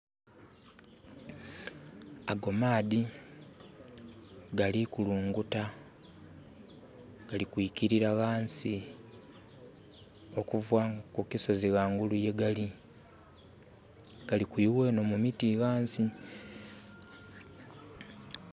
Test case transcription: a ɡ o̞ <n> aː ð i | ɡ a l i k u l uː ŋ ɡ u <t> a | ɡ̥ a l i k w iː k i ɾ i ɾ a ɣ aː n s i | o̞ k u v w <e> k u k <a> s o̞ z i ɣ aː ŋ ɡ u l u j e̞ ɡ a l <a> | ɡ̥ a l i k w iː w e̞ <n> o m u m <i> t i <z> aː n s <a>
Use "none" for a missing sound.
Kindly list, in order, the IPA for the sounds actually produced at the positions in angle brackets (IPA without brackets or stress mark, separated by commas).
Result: m, t, a, i, i, n, i, ɣ, i